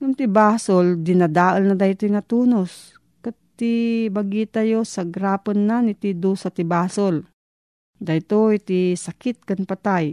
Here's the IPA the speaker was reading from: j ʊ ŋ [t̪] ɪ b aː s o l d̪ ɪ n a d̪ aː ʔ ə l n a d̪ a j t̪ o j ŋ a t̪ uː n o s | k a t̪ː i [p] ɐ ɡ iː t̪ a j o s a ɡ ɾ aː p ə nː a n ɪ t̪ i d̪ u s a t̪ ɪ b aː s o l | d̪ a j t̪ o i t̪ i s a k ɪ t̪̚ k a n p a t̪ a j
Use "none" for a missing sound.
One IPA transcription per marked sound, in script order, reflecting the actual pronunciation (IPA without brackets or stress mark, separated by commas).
t̪, b